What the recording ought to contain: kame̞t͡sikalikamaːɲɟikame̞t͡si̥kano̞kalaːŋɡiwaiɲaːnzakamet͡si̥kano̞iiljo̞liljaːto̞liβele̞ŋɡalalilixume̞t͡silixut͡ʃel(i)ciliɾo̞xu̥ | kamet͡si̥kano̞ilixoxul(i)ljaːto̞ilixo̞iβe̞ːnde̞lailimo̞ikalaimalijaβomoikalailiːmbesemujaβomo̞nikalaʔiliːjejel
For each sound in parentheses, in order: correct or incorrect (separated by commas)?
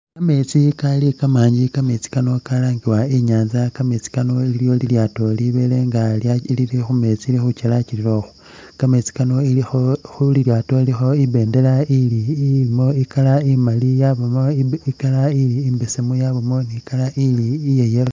incorrect, correct